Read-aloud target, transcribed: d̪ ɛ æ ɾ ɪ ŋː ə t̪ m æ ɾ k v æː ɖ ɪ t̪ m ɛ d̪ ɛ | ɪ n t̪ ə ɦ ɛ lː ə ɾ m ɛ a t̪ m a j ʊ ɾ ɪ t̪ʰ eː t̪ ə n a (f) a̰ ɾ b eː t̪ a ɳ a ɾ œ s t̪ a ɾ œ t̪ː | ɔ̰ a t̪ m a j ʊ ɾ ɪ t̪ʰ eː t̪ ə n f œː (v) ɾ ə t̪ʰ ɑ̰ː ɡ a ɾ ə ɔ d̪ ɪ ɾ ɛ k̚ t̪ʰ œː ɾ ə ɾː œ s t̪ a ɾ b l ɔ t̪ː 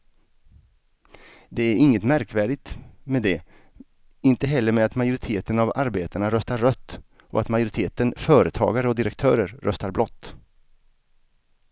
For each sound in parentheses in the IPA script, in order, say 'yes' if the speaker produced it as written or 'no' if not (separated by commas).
no, no